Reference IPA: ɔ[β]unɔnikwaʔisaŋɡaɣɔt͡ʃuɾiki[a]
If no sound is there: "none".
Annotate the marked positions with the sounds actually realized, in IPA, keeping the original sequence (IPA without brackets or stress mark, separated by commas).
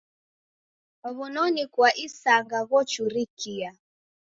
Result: β, a